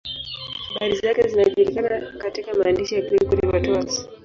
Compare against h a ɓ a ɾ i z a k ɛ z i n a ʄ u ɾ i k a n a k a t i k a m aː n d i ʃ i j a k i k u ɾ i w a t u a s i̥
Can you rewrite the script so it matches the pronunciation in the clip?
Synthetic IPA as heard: h a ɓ a ɾ i z a k ɛ z i n a ʄ u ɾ i k a n a k a t i k a m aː n d i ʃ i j a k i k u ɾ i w a t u a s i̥